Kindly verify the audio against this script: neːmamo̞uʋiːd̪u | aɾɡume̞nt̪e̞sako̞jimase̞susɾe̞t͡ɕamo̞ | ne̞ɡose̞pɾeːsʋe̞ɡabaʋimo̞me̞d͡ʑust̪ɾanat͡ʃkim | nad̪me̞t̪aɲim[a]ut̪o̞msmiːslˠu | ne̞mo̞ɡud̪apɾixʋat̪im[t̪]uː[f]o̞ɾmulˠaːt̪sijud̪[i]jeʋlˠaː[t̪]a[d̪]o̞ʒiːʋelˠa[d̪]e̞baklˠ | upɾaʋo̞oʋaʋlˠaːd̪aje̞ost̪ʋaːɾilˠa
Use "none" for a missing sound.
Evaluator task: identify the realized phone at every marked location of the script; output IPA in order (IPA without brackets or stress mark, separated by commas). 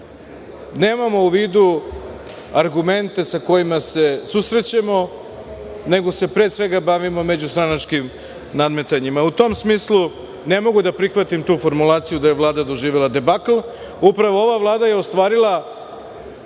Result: a, t̪, f, a, d̪, d̪, d̪